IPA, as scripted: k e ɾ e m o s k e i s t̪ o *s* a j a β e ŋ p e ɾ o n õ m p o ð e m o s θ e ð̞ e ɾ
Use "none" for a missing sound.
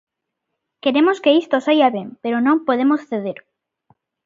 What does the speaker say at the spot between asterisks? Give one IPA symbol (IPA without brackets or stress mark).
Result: s